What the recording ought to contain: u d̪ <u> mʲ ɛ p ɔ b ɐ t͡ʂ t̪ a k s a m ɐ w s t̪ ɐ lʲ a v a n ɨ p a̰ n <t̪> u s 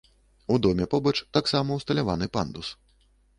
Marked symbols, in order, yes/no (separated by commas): no, no